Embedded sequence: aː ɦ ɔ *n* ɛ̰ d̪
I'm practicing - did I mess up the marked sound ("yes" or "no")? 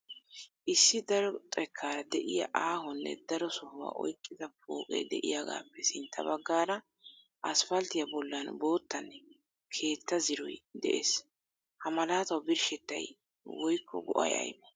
yes